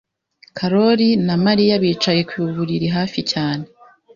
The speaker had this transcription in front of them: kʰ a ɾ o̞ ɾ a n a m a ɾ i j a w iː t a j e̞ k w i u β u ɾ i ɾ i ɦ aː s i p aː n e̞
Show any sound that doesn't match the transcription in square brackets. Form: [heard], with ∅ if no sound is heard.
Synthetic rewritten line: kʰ a ɾ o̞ ɾ [i] n a m a ɾ i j a [β] iː [t͡ʃ] a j e̞ k w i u β u ɾ i ɾ i ɦ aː [f] i [c] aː n e̞